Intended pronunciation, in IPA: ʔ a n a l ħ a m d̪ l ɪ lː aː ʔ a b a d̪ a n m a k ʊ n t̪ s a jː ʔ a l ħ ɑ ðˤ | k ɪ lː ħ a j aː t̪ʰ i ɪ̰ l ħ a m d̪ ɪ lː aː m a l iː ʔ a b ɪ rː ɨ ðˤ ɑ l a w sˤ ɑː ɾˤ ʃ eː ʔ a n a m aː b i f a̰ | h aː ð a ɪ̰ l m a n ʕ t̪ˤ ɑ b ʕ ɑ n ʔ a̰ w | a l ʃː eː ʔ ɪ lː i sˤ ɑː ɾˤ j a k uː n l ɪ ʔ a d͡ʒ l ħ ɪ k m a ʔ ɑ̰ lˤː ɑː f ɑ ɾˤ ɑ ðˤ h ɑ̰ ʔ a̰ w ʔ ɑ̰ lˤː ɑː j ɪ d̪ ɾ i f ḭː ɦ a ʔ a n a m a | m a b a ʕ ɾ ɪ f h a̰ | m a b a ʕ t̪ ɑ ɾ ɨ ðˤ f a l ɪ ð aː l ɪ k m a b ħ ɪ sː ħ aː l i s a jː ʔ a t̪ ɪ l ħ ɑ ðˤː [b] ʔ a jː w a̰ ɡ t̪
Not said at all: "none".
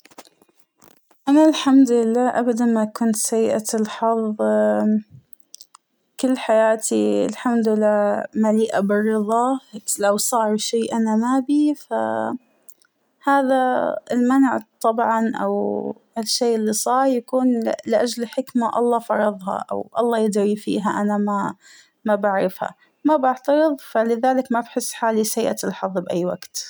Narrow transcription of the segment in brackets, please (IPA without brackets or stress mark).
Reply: b